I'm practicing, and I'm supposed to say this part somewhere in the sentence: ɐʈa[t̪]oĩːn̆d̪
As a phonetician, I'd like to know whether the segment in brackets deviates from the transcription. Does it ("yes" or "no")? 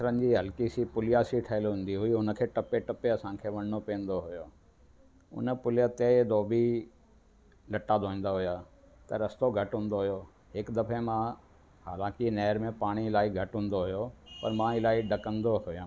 yes